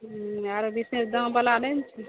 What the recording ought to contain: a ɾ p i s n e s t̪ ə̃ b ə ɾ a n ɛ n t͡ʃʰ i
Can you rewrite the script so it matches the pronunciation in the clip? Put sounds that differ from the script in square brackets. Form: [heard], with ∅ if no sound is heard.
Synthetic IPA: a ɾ [b] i s n e s [d̪] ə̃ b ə [l] a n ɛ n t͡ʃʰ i